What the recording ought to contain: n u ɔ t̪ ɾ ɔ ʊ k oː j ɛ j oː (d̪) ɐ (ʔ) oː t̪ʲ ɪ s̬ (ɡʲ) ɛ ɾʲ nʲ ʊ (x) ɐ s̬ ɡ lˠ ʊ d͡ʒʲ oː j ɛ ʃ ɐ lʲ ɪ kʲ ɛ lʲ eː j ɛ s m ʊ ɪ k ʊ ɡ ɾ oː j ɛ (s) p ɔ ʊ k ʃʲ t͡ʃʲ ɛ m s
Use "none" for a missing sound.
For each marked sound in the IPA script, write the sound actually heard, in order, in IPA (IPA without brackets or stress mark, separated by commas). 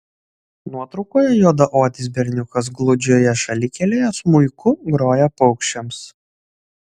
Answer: d̪, ʔ, bʲ, k, none